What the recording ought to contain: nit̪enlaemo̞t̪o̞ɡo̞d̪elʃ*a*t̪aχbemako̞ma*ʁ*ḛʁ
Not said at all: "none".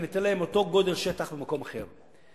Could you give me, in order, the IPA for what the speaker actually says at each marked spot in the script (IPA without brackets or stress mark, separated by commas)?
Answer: e, χ